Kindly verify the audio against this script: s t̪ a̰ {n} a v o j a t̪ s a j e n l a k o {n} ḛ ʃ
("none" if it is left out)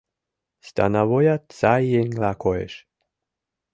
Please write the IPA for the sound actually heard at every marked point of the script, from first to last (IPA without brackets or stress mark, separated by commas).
n, none